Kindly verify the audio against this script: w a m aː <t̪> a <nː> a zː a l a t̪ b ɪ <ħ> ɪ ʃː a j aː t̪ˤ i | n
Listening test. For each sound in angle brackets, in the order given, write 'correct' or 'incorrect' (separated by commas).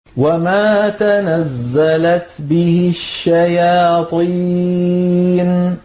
correct, incorrect, incorrect